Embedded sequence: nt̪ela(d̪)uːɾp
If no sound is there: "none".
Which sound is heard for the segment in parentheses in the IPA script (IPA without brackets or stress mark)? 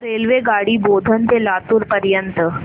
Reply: t̪